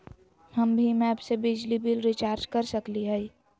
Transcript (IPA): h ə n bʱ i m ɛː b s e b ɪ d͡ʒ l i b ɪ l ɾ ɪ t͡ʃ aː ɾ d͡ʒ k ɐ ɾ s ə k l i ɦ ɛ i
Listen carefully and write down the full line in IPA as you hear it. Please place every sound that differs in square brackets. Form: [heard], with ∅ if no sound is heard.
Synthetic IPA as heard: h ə [m] bʱ i m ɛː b s e b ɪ d͡ʒ l i b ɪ l ɾ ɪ t͡ʃ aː ɾ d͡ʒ k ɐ ɾ s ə k l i ɦ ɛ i